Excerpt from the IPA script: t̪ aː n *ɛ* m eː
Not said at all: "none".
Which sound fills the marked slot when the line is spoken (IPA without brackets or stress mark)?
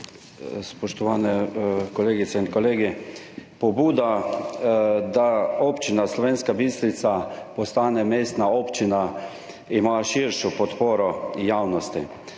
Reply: ɛ